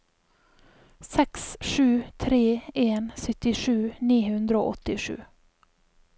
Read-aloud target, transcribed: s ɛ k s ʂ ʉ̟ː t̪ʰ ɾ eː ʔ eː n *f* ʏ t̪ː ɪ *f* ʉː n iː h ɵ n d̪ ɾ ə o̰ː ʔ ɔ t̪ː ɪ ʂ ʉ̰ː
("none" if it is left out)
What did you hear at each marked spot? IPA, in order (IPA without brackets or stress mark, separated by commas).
s, ʂ